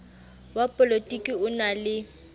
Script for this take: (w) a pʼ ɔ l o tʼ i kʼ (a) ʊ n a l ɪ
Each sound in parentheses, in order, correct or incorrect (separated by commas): correct, incorrect